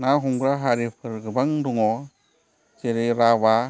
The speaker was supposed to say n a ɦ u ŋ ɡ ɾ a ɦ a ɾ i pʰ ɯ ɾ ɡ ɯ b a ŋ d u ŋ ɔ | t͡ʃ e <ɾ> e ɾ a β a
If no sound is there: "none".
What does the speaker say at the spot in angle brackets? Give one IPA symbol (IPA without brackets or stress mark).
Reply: ɾ